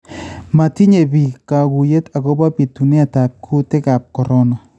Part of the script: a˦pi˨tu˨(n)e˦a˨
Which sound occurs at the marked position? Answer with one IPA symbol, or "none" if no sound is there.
n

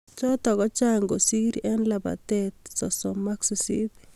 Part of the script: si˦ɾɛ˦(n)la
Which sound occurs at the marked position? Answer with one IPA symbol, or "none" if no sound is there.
n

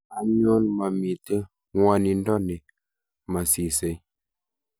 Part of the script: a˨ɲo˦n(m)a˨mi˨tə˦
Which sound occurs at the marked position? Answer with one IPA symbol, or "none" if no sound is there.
m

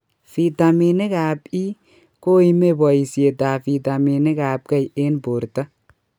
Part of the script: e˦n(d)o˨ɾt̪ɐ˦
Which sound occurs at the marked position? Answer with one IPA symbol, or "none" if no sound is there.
b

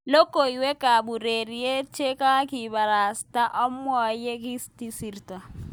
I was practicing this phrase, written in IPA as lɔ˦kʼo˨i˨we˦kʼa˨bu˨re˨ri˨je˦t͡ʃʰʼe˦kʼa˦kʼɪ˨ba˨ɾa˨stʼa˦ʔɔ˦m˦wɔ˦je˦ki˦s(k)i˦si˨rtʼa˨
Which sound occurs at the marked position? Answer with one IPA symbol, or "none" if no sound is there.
t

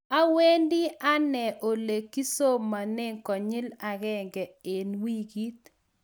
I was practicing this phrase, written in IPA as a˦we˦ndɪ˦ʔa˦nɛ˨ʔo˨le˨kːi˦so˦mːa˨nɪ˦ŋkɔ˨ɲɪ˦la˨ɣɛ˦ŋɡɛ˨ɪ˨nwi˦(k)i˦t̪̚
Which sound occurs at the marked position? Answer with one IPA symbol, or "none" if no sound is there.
ɡ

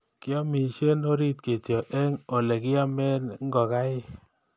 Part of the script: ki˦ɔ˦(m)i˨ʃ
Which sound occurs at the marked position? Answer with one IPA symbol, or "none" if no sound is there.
m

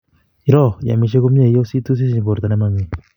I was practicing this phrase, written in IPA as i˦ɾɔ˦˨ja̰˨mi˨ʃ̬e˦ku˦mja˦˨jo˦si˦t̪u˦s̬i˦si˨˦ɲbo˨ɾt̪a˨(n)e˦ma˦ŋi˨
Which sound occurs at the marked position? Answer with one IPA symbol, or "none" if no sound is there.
n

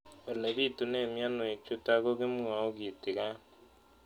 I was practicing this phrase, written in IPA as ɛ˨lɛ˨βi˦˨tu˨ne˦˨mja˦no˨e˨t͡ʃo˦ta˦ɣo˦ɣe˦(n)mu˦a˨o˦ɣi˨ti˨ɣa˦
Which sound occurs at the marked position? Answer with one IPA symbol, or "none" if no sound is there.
none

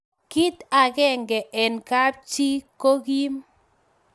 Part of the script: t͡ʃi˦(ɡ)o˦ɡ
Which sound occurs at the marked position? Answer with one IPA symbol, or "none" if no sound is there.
k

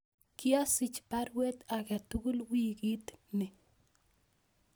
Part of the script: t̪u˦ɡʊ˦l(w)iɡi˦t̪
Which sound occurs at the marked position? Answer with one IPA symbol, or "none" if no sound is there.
w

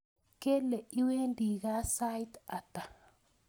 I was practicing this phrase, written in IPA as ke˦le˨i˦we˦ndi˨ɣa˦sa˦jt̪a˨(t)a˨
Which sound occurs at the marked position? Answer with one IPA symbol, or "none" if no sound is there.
t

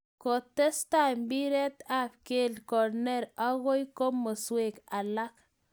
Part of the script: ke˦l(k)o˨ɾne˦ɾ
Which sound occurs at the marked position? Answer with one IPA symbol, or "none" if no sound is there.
k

